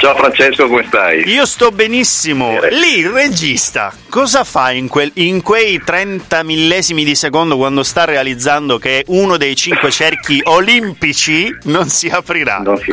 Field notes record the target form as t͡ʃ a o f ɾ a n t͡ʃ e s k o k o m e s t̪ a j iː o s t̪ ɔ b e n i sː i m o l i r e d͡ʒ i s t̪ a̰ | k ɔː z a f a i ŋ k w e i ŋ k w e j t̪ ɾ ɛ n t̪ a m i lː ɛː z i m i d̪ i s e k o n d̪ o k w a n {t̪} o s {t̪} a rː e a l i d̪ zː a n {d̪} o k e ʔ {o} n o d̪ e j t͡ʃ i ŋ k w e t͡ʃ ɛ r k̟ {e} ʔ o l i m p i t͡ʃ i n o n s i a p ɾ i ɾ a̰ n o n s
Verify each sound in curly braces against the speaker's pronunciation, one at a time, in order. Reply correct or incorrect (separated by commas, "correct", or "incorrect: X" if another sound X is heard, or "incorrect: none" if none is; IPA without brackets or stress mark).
incorrect: d̪, correct, correct, incorrect: u, incorrect: i